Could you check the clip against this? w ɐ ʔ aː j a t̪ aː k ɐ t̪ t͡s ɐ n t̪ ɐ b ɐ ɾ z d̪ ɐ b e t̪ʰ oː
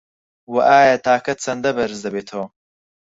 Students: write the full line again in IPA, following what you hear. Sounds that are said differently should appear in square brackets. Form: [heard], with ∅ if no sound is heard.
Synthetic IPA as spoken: w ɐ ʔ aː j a t̪ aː k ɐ t̪ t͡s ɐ n [d̪] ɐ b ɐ ɾ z d̪ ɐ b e t̪ʰ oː